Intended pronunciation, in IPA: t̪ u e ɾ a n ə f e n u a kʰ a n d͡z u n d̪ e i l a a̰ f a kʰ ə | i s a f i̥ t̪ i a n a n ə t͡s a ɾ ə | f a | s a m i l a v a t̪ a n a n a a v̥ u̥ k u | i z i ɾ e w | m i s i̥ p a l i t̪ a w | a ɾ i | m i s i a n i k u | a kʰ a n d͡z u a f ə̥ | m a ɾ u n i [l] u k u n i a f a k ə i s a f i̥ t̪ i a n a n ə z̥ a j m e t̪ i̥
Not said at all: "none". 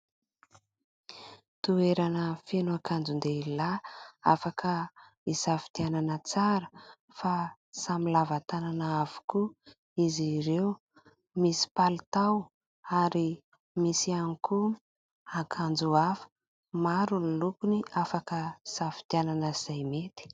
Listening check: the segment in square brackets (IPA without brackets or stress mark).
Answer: l